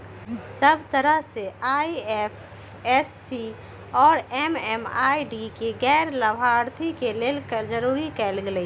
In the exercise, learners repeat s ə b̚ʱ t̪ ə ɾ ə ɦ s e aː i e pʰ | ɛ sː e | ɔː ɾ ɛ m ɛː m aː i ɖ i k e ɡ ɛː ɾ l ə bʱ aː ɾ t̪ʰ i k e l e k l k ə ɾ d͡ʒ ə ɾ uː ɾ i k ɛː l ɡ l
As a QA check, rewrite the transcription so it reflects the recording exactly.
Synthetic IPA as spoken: s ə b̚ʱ t̪ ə ɾ ə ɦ s e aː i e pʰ | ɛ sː i | ɔː ɾ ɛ m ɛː m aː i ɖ i k e ɡ ɛː ɾ l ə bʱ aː ɾ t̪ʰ i k e l e l k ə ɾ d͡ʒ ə ɾ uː ɾ i k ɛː l ɡ l